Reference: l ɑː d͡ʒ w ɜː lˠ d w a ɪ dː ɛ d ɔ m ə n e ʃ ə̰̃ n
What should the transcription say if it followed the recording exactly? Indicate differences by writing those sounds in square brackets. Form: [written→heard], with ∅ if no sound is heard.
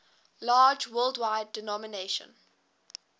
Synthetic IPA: l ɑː d͡ʒ w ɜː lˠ d w a ɪ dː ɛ [d→n] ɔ m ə n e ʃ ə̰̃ n